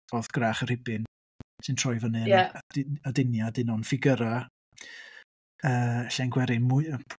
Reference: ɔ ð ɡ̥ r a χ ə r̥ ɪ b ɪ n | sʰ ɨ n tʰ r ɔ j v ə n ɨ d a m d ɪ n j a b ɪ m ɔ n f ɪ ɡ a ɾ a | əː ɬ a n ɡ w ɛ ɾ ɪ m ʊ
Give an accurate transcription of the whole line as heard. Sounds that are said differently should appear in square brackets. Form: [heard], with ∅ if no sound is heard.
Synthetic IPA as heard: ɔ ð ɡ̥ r a χ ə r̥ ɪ b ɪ n | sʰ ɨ n tʰ r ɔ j v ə n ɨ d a [∅] d ɪ n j a [d] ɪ [n] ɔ n f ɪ ɡ [ə] ɾ a | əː ɬ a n ɡ w ɛ ɾ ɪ m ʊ